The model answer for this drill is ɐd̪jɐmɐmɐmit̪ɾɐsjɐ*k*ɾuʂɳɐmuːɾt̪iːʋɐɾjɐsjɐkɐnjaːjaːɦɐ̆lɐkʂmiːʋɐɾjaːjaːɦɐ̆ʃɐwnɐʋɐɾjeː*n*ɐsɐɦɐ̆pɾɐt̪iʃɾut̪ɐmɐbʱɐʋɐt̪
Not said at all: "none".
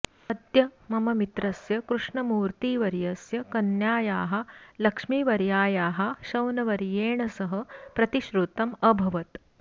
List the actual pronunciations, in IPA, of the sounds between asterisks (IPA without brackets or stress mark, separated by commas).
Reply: k, ɳ